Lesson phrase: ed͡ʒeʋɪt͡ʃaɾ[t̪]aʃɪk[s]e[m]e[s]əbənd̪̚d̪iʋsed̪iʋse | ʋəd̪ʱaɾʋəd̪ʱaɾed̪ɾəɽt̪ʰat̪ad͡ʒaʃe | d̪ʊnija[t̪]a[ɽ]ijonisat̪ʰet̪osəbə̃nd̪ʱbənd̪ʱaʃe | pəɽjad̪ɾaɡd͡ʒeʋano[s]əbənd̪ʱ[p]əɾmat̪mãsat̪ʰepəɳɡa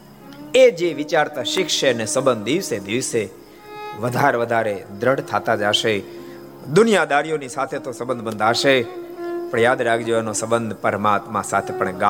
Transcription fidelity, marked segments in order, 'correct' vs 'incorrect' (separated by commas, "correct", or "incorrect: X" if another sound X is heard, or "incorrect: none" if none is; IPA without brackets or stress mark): correct, incorrect: ʃ, incorrect: n, correct, incorrect: d̪, incorrect: ɾ, correct, correct